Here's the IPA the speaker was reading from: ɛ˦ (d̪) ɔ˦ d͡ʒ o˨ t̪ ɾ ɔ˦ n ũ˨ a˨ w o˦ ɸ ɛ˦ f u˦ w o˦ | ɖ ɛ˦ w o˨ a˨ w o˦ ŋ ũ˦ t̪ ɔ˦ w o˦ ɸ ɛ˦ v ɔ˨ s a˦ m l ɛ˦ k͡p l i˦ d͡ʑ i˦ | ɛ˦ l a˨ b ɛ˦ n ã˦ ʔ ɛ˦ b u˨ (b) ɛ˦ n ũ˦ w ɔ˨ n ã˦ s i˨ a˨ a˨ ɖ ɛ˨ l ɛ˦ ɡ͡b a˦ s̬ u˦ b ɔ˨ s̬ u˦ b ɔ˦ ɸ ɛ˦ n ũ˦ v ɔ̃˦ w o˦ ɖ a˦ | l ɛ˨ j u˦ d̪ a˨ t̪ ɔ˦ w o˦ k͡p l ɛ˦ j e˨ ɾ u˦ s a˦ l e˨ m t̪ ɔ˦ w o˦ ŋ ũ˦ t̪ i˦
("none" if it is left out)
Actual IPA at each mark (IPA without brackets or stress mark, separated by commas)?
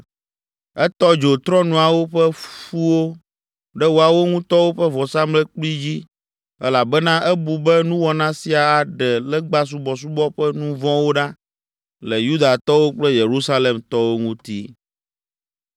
t̪, b